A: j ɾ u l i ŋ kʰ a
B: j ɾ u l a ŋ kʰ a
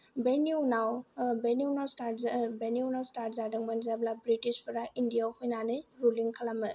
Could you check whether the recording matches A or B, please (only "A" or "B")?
A